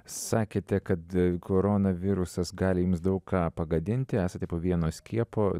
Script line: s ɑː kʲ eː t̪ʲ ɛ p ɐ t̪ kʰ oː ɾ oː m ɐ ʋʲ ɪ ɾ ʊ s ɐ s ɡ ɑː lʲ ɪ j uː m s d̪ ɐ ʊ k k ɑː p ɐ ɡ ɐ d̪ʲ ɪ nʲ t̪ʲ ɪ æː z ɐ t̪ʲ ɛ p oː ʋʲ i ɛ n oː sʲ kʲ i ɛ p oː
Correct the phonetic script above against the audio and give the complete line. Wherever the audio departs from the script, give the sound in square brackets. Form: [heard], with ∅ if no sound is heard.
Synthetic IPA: s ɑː kʲ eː t̪ʲ ɛ [k] ɐ t̪ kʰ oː ɾ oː [n] ɐ ʋʲ ɪ ɾ ʊ s ɐ s ɡ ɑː lʲ ɪ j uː m s d̪ ɐ ʊ k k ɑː p ɐ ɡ ɐ d̪ʲ ɪ nʲ t̪ʲ ɪ æː [s] ɐ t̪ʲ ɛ p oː ʋʲ i ɛ n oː sʲ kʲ i ɛ p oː